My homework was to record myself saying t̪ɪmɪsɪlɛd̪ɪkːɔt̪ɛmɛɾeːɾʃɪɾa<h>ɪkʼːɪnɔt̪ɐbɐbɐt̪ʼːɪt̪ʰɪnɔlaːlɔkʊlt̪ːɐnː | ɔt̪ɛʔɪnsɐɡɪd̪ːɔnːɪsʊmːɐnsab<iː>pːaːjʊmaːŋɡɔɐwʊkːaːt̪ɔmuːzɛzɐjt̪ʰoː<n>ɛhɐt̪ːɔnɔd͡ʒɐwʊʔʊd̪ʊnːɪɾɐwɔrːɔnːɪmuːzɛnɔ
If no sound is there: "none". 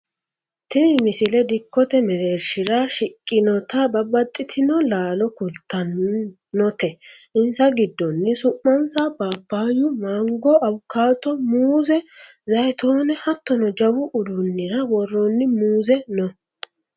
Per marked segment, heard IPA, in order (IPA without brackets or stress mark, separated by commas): ʃ, aː, n